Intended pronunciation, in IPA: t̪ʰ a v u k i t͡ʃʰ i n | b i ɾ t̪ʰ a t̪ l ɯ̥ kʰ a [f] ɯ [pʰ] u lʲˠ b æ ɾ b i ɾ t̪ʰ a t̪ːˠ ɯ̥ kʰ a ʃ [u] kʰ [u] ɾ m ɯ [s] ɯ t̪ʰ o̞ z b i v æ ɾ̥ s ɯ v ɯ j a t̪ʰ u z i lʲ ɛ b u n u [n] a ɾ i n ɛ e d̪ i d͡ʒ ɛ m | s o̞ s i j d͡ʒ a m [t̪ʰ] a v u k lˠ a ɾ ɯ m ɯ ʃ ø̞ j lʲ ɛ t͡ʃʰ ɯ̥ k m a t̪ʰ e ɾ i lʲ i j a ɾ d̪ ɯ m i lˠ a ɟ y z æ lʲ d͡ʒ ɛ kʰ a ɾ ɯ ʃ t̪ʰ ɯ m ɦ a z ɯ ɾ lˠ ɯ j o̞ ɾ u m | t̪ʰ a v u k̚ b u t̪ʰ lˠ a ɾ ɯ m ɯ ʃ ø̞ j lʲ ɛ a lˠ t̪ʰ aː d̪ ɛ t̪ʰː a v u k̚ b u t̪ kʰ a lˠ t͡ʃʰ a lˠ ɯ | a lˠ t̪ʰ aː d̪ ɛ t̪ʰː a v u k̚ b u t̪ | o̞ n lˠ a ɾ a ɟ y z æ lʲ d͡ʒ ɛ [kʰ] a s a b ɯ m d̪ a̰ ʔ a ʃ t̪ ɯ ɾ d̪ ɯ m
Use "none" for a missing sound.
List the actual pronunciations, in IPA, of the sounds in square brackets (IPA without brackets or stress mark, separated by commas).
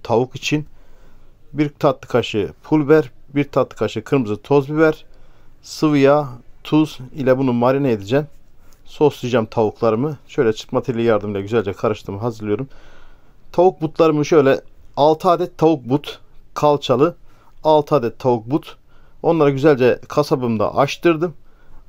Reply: ʃ, pʰ, ɯ, ɯ, z, m, t̪ʰ, kʰ